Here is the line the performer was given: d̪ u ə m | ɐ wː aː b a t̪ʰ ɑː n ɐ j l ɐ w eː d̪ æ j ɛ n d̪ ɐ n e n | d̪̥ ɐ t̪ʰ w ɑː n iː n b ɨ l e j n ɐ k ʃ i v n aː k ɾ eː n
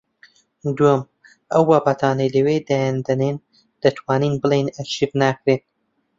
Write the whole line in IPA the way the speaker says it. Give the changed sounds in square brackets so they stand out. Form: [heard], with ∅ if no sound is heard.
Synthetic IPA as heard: d̪ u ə m | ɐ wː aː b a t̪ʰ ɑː n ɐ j l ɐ w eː d̪ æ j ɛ n d̪ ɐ n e n | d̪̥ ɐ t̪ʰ w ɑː n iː n b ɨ l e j n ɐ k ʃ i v n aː k ɾ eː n